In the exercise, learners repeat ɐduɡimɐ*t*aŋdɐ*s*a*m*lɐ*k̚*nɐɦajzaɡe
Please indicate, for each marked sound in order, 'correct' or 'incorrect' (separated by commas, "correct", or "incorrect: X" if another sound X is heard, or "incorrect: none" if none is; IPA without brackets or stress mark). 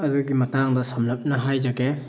correct, correct, correct, incorrect: p̚